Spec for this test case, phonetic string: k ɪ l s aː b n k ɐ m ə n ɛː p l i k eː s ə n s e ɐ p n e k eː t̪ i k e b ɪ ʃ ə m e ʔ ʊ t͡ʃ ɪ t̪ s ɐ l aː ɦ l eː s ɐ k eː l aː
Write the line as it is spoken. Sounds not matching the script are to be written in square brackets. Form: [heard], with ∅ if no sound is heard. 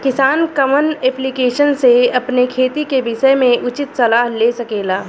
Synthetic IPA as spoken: k ɪ [∅] s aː [∅] n k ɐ m ə n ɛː p l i k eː [ʃ] ə n s e ɐ p n e [kʰ] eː t̪ i k e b ɪ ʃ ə m [ẽ] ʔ ʊ t͡ʃ ɪ t̪ s ɐ l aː ɦ l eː s ɐ k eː l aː